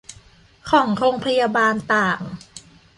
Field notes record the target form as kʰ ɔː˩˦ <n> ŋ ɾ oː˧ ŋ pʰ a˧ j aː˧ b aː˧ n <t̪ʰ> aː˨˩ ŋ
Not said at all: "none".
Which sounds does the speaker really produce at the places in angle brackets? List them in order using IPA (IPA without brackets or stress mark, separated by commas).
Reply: none, t̪